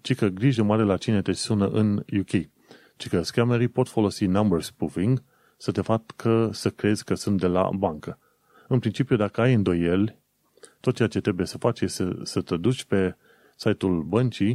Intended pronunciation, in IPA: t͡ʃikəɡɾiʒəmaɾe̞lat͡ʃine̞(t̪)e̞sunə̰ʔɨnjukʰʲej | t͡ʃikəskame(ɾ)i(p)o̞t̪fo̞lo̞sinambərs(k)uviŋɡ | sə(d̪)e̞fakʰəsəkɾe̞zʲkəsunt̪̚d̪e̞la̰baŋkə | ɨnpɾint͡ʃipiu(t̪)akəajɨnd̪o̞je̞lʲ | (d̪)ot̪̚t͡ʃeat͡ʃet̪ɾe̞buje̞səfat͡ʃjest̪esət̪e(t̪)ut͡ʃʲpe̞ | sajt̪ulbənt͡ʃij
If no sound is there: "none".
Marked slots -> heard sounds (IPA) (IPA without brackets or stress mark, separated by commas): t̪, ɾ, p, p, t̪, d̪, t̪, d̪